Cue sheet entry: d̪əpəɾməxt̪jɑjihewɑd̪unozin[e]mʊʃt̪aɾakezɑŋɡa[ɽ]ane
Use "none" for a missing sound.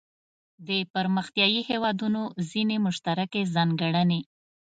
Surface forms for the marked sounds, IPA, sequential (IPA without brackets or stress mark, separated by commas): e, ɽ